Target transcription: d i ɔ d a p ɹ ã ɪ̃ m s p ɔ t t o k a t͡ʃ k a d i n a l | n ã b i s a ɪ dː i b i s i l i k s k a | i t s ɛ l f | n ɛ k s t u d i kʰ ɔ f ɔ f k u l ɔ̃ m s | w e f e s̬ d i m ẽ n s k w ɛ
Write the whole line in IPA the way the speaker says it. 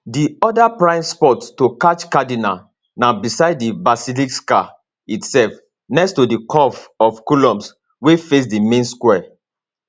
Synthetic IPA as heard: d i ɔ d a p ɹ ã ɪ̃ m s p ɔ t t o k a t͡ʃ k a d i n a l | n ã b i s a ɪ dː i b a s i l i k s k a | i t s ɛ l f | n ɛ k s t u d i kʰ ɔ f ɔ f k u l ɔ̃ m s | w e f e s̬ d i m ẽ n s k w ɛ